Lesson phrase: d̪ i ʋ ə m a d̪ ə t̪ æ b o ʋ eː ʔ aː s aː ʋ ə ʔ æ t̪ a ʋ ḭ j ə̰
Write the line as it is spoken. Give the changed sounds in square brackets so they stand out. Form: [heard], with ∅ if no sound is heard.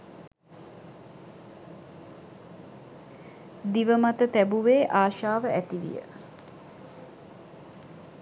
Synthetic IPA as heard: d̪ i ʋ ə m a [t̪] ə t̪ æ b [u] ʋ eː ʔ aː [ʃ] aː ʋ ə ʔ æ t̪ [i] ʋ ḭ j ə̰